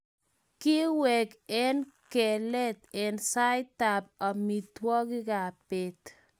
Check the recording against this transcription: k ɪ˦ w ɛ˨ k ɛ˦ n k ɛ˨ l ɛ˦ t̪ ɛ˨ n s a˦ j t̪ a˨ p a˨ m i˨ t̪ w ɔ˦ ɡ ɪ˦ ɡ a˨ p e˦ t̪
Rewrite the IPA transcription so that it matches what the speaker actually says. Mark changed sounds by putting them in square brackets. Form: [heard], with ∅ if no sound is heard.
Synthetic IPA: k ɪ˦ w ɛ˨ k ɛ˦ n k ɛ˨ l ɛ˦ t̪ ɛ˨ n s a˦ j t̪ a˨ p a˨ m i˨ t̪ w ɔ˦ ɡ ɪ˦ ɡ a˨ p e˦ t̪